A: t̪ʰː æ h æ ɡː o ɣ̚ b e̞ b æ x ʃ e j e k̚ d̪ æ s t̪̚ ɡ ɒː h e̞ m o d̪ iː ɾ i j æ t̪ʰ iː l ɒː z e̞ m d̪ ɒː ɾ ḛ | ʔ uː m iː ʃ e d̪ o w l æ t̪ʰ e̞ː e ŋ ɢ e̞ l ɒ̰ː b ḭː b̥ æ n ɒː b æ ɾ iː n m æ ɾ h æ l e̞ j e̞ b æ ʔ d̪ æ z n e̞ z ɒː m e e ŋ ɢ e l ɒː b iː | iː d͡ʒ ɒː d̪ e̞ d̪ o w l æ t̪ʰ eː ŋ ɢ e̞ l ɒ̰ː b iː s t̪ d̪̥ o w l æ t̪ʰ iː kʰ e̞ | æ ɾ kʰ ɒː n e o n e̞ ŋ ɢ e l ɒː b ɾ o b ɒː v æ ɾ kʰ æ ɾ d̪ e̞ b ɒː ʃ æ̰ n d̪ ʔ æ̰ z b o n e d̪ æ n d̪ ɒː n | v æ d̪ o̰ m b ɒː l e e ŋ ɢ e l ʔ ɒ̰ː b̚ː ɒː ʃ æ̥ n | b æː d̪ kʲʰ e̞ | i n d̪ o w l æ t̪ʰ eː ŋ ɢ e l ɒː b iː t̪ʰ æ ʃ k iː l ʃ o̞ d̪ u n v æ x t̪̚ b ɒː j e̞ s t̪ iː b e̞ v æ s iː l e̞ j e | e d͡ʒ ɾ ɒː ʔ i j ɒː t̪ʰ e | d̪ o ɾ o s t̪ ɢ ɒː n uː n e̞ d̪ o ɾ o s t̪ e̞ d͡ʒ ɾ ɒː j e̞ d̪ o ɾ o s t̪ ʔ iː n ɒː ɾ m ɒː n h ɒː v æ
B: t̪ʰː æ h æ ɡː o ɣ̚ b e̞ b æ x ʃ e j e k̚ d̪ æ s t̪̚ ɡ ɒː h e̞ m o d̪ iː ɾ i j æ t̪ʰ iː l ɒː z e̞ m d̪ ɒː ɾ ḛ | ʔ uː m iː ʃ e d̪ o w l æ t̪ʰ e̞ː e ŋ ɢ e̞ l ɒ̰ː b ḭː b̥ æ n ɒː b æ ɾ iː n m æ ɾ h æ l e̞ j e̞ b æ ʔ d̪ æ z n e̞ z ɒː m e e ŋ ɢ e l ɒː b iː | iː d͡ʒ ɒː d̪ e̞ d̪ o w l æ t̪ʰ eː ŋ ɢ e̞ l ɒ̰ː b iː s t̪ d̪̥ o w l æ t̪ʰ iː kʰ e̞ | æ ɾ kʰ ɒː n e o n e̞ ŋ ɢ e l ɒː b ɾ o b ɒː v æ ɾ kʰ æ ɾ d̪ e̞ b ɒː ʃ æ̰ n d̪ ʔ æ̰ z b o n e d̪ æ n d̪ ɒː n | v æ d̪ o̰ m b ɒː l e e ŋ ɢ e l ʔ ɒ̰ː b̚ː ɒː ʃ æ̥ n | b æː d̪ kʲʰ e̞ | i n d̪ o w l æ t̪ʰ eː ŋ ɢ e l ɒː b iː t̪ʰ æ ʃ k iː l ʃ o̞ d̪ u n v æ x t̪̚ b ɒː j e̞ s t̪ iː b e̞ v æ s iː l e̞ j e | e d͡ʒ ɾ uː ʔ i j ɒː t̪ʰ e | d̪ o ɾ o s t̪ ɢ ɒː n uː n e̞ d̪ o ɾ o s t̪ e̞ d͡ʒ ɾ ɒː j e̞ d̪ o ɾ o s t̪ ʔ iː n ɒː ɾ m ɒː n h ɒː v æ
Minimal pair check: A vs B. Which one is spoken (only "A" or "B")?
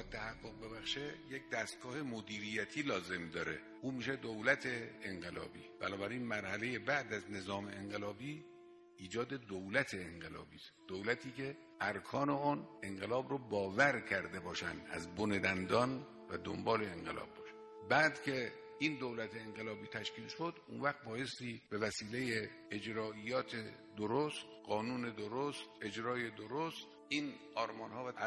A